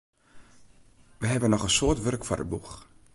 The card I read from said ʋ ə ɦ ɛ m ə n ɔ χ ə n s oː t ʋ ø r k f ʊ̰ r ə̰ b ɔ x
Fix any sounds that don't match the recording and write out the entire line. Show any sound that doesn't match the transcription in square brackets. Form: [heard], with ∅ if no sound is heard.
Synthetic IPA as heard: ʋ ə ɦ ɛ [b] ə n ɔ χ ə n s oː t ʋ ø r k f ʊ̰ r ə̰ b [u] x